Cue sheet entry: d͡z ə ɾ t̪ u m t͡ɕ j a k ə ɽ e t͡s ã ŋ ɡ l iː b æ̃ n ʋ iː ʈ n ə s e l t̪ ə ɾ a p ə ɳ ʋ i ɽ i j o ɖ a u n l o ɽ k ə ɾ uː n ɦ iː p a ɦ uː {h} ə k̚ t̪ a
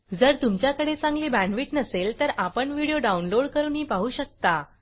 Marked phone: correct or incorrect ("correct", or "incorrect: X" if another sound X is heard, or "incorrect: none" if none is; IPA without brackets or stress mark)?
incorrect: ɕ